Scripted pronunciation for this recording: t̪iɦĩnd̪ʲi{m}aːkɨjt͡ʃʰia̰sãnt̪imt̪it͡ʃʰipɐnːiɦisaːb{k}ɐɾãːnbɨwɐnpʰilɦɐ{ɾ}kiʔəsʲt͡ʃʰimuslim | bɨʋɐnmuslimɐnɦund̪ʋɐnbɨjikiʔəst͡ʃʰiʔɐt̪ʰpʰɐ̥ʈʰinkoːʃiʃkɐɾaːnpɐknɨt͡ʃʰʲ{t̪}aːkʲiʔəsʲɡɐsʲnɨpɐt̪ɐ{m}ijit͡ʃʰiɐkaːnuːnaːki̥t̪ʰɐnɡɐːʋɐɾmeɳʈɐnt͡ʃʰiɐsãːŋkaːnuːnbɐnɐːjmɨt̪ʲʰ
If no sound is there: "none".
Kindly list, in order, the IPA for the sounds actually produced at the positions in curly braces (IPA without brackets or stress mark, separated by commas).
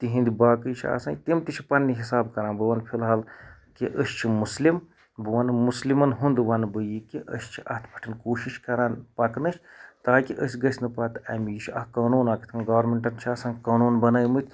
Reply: b, k, l, t̪, m